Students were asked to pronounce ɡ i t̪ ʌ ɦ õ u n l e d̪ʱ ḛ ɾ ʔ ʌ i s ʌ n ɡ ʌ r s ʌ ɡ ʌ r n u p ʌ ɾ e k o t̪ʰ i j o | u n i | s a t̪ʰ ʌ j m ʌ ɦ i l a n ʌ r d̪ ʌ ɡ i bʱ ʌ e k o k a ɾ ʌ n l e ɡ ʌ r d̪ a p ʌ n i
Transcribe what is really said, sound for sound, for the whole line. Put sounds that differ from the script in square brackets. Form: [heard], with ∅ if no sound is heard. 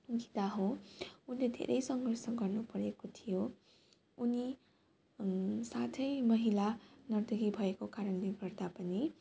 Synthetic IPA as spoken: ɡ i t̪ [a] ɦ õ u n l e d̪ʱ ḛ ɾ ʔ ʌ [j] s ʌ [ŋ] ɡ ʌ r s ʌ ɡ ʌ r n u p ʌ ɾ e k o t̪ʰ i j o | u n i | s a t̪ʰ ʌ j m ʌ ɦ i l a n ʌ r d̪ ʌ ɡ i bʱ ʌ e k o k a ɾ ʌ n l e ɡ ʌ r d̪ a p ʌ n i